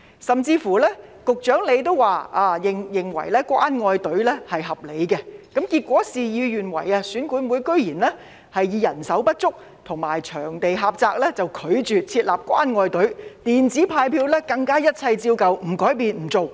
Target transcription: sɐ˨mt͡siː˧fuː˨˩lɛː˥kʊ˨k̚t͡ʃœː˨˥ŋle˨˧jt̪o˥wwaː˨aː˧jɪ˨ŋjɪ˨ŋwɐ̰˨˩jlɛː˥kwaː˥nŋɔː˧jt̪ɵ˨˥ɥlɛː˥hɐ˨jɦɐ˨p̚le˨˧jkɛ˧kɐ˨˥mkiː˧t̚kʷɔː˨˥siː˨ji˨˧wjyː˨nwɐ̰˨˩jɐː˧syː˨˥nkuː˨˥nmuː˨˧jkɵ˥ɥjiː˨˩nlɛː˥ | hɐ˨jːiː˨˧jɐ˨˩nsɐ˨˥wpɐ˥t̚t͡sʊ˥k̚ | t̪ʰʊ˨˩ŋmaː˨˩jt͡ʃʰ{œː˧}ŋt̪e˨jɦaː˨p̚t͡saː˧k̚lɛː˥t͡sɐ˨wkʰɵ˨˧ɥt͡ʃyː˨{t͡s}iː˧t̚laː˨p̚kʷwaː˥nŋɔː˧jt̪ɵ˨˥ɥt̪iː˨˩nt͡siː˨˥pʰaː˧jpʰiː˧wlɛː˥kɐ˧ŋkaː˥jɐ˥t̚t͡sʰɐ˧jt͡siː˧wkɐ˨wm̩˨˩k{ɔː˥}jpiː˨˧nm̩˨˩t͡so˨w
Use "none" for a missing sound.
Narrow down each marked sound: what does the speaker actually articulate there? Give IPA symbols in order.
œː˨˩, t͡sʰ, ɔː˨˥

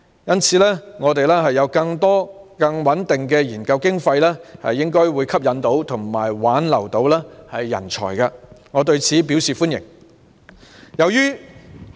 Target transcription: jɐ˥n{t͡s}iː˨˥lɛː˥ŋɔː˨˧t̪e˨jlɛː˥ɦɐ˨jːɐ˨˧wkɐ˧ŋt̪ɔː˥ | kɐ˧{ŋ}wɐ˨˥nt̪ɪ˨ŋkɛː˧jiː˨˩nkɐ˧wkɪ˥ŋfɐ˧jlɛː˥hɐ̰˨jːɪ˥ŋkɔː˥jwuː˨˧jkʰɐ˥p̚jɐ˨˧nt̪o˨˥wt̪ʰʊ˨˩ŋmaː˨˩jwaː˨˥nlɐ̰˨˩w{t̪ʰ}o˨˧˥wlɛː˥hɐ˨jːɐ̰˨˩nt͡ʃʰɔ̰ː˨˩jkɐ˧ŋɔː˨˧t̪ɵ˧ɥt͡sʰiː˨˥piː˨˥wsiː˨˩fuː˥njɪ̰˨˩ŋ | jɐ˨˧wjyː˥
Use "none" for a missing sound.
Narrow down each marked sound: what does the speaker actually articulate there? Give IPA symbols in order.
t͡sʰ, ŋ, t̪

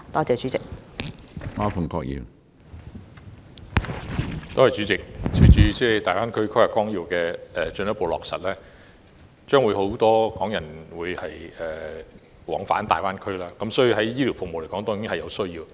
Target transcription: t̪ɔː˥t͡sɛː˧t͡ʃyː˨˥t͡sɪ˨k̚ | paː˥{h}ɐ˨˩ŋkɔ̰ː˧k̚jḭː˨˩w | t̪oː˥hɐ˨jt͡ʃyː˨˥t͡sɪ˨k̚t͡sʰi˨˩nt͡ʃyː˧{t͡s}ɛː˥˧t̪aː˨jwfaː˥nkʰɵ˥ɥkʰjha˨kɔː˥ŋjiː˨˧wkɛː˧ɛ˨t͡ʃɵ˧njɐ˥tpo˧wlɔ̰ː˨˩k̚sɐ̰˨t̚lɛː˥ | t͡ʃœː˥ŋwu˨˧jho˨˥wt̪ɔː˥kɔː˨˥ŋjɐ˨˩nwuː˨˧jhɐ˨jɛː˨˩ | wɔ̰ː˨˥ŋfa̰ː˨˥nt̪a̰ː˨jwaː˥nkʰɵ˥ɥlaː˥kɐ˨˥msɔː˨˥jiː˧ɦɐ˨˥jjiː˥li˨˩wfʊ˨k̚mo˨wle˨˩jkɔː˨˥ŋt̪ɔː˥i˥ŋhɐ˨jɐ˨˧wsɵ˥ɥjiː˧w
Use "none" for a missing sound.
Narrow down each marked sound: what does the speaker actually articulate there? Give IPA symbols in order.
f, t͡s

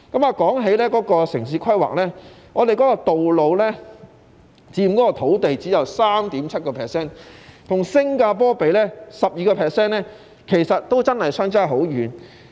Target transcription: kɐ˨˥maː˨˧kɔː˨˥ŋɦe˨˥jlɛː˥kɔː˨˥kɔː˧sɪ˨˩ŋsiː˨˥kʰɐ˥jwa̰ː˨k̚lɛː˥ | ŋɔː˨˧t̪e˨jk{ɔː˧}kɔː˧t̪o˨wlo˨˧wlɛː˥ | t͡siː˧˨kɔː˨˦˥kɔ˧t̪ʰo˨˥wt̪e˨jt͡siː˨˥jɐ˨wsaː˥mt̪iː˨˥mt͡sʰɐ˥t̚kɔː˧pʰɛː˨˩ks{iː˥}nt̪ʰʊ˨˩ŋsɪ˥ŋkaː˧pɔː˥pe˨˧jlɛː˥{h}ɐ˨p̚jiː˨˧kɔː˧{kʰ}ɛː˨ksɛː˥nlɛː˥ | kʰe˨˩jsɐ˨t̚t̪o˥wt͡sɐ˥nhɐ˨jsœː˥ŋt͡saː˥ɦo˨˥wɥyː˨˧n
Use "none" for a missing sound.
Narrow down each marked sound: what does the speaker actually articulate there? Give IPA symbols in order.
ɔː˨˥, ɛː˥, s, pʰ

